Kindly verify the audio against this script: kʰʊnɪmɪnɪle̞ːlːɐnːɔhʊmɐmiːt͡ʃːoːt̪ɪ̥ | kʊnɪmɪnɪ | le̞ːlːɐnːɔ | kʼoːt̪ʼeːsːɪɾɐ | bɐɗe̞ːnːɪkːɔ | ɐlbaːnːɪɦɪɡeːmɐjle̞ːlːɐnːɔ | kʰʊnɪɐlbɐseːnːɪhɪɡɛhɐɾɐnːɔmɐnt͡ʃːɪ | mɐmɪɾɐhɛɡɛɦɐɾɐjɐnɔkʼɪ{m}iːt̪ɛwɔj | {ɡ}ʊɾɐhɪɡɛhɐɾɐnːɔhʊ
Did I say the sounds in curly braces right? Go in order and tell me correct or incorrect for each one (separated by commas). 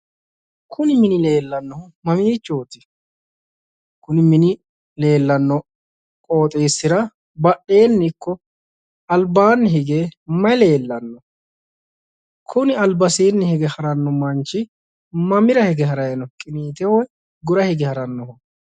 incorrect, correct